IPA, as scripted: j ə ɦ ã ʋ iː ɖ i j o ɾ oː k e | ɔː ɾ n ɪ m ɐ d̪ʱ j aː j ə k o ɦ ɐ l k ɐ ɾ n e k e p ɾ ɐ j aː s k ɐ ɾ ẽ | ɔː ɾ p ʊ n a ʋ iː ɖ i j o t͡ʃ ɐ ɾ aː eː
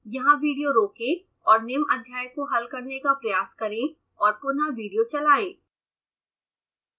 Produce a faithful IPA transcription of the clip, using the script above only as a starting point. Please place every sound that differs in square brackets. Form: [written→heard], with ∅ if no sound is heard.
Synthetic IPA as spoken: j [ə→ɐ] ɦ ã ʋ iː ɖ i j o ɾ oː k e | ɔː ɾ n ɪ m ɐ d̪ʱ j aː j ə k o ɦ ɐ l k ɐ ɾ n e k [e→a] p ɾ ɐ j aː s k ɐ ɾ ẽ | ɔː ɾ p ʊ n a ʋ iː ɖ i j o t͡ʃ ɐ [ɾ→l] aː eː